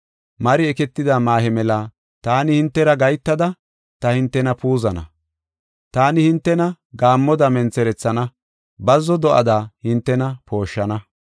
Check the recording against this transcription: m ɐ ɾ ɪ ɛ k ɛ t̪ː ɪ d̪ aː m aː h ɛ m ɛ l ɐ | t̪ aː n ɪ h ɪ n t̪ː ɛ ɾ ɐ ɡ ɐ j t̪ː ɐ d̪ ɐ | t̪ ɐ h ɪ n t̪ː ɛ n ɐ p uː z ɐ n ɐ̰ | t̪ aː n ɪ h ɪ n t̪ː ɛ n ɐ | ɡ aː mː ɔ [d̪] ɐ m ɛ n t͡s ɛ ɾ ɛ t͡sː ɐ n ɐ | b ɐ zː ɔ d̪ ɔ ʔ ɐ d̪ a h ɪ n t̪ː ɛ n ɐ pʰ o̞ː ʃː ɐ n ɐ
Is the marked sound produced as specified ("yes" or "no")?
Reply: yes